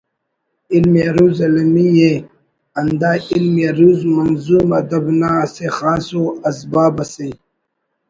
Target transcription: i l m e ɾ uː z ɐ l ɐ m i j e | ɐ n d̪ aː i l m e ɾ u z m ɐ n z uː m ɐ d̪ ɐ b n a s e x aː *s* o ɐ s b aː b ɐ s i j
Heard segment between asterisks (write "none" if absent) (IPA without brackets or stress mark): s